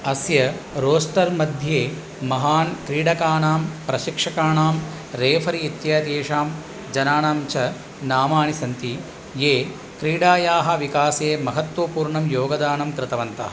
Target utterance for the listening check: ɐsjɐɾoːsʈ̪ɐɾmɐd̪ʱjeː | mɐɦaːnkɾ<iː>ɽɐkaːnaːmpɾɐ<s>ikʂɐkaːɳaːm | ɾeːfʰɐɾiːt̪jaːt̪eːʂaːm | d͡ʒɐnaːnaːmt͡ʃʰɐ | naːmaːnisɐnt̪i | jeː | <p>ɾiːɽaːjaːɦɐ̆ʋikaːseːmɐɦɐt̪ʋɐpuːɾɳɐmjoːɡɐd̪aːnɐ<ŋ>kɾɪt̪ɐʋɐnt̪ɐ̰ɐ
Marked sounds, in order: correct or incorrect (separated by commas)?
correct, incorrect, incorrect, incorrect